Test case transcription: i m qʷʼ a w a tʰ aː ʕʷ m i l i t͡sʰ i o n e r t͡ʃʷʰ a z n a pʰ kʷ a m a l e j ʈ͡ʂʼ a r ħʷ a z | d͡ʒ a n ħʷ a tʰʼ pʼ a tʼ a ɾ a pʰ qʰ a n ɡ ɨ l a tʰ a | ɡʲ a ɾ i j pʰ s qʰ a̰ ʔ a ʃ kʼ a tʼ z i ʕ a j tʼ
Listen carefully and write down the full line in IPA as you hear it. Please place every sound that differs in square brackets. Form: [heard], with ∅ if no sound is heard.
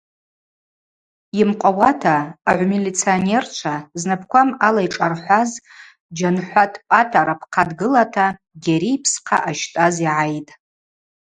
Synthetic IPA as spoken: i m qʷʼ a w a tʰ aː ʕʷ m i l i t͡sʰ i o n e r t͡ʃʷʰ a z n a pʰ kʷ a m a l [a] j ʈ͡ʂʼ a r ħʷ a z | d͡ʒ a n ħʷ a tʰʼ pʼ a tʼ a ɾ a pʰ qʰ a [d] ɡ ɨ l a tʰ a | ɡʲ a ɾ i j pʰ s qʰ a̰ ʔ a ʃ [tʼ] a [∅] z i ʕ a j tʼ